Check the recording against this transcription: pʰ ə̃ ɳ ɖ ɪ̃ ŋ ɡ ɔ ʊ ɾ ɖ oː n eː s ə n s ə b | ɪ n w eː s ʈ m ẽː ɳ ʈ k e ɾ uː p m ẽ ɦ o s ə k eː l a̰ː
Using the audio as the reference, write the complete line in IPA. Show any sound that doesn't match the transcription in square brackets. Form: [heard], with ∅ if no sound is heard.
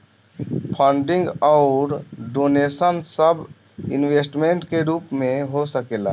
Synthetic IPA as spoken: pʰ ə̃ ɳ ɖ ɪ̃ ŋ ɡ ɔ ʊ ɾ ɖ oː n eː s ə n s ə b | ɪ n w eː s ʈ m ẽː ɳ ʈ k e ɾ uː p m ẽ ɦ o s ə k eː l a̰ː